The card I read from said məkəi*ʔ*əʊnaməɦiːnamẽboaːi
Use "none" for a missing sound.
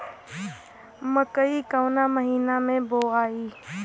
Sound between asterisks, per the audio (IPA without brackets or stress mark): k